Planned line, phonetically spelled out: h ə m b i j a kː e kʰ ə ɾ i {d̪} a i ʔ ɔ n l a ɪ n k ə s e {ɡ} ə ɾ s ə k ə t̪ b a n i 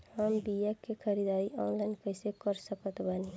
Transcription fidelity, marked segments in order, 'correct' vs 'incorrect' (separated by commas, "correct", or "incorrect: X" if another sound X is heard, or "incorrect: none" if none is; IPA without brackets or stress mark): correct, incorrect: k